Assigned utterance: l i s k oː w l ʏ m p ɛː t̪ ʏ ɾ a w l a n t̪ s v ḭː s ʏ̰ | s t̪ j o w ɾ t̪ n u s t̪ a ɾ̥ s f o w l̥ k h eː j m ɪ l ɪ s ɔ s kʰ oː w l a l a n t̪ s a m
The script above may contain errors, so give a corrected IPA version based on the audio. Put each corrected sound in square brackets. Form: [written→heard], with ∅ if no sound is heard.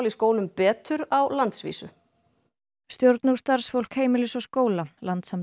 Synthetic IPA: l i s k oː w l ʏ m p ɛː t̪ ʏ ɾ a w l a n t̪ s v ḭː s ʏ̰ | s t̪ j o w ɾ t̪ n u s t̪ a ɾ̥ s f o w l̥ k h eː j m ɪ l ɪ s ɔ s [kʰ→k] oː w l a l a n t̪ s a m